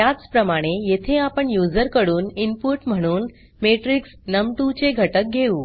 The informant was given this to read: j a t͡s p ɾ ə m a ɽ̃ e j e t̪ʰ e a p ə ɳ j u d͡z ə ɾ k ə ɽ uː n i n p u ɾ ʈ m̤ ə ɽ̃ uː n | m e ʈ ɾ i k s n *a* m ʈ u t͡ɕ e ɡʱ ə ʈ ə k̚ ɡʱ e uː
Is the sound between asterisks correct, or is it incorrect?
incorrect